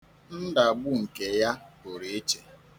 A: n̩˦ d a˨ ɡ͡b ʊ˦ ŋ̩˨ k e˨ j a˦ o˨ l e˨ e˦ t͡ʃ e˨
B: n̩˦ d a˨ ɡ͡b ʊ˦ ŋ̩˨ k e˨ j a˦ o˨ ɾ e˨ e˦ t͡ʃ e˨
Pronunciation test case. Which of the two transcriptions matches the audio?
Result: B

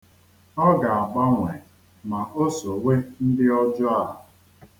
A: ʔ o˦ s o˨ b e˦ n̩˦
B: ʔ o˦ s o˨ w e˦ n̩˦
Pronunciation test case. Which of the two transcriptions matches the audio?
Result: B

